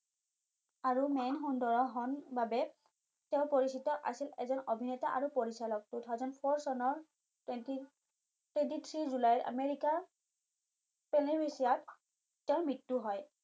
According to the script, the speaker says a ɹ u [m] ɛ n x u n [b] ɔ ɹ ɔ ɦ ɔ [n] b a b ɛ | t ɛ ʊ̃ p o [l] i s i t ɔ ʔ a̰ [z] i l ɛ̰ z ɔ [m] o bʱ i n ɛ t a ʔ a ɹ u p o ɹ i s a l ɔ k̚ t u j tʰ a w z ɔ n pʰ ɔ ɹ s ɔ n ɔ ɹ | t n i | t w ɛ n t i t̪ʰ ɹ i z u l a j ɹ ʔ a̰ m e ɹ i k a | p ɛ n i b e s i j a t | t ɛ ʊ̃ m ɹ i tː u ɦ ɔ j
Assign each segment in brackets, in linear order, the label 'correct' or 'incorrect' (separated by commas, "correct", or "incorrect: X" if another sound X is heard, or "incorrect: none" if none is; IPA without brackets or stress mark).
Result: correct, incorrect: d, correct, incorrect: ɹ, incorrect: s, incorrect: n